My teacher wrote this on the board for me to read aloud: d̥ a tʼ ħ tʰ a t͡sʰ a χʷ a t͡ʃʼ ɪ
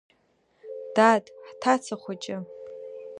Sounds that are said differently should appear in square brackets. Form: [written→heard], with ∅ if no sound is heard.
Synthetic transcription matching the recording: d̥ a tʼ ħ tʰ a t͡sʰ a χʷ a t͡ʃʼ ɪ